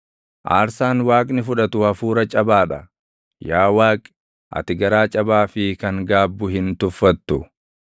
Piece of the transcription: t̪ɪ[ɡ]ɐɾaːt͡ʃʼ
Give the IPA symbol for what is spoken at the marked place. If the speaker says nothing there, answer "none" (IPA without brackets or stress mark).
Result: ɡ